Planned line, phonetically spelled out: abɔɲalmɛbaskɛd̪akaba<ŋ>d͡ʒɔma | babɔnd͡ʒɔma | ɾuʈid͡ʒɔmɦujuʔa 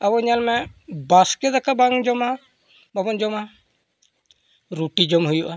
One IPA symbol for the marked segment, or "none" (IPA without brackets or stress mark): ŋ